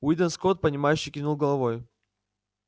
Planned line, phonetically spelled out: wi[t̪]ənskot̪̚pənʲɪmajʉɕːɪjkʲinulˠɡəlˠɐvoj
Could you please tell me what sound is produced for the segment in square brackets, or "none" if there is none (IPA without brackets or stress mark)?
d̪